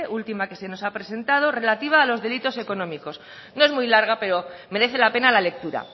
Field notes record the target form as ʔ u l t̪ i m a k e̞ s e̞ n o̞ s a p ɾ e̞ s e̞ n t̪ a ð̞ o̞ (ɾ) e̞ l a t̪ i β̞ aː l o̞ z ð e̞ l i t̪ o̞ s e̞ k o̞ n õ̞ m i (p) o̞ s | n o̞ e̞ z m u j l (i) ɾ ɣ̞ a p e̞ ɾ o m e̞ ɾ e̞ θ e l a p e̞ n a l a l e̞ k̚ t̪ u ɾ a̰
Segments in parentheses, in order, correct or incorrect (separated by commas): incorrect, incorrect, incorrect